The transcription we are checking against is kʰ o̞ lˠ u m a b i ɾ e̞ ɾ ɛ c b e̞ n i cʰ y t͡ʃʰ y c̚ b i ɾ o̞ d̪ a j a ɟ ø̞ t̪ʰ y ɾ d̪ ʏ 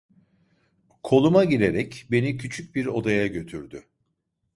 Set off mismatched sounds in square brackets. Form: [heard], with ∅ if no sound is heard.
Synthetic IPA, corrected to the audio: kʰ o̞ lˠ u m a [ɟ] i ɾ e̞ ɾ ɛ c b e̞ n i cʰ y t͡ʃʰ y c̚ b i ɾ o̞ d̪ a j a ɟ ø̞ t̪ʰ y ɾ d̪ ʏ